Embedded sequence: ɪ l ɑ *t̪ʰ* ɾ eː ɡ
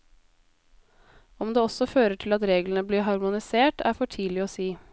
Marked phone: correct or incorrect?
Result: incorrect